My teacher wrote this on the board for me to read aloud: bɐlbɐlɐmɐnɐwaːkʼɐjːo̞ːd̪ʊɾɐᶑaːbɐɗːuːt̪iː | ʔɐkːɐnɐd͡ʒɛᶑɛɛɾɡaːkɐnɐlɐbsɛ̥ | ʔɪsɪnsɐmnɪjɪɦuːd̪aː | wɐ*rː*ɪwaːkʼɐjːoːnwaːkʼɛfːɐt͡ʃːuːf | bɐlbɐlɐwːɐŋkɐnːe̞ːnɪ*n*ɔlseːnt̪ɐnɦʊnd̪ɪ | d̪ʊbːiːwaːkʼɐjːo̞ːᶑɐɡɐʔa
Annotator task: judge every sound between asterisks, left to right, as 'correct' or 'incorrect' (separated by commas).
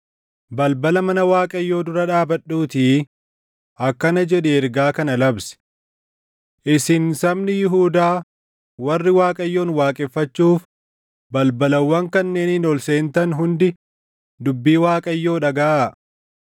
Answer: correct, correct